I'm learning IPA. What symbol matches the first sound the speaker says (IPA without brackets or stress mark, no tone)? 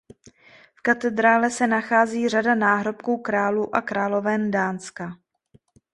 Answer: f